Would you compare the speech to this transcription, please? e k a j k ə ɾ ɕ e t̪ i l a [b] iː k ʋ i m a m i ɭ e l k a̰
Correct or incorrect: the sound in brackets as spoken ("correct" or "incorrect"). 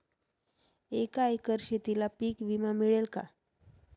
incorrect